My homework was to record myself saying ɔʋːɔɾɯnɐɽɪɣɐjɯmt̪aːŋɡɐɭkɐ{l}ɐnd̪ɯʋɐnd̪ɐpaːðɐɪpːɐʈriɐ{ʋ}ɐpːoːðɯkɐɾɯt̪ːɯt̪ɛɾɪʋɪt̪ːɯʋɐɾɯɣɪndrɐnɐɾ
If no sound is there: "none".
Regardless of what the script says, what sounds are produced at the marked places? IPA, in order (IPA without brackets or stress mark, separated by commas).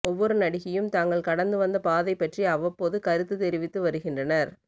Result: ɽ, ʋ